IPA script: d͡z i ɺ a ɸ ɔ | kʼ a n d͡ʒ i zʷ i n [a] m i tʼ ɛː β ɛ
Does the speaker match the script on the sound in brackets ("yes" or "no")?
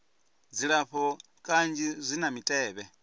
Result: yes